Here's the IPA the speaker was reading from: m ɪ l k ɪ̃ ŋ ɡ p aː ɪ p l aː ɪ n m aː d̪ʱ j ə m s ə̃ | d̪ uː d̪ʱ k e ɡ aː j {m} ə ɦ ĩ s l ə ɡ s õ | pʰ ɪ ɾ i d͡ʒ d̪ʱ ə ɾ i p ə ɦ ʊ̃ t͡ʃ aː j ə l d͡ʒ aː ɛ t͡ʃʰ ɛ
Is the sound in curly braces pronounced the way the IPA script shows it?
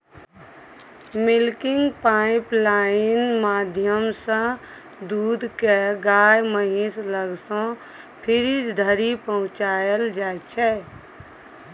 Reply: yes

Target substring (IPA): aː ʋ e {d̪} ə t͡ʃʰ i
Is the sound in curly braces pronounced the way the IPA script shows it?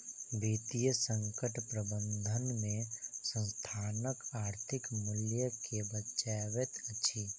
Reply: no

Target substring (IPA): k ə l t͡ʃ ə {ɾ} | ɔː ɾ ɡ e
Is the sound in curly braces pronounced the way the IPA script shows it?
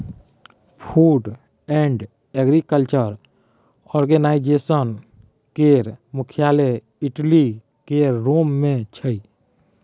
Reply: yes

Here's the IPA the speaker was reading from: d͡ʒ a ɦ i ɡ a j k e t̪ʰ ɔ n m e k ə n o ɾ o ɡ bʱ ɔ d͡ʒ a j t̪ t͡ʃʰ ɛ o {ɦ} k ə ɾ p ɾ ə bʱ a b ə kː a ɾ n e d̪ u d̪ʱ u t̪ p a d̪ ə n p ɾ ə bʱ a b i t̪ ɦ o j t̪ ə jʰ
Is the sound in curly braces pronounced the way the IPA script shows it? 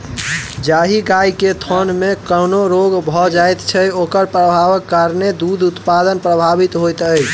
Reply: no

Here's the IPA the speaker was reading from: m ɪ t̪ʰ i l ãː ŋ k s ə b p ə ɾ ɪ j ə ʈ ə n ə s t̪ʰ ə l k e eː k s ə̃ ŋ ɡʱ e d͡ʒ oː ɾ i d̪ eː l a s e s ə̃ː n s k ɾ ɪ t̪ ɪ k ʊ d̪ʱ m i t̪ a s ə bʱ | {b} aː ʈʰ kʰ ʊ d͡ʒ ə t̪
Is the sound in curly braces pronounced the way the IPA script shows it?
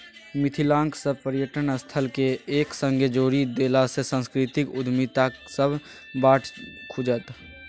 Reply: yes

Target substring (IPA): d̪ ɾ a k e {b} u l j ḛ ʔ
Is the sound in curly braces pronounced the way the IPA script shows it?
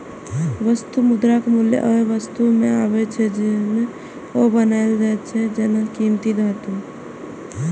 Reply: no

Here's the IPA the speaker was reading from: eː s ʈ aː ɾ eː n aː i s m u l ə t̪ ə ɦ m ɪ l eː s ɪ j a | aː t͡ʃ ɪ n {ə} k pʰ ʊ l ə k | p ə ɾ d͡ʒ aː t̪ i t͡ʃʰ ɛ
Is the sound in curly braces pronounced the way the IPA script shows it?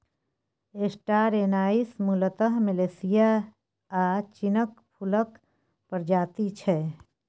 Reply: yes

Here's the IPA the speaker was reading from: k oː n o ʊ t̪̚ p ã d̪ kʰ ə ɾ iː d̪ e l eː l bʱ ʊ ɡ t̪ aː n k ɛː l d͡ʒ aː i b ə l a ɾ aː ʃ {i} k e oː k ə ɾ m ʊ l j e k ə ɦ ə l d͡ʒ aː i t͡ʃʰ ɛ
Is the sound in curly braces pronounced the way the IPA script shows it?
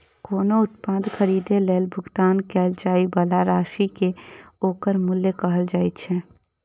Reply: yes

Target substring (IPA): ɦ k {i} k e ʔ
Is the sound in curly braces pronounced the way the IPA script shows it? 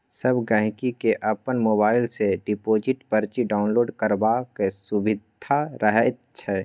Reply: yes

